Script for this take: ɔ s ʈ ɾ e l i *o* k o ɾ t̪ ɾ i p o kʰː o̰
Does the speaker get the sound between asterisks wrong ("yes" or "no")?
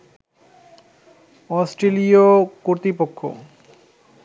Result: no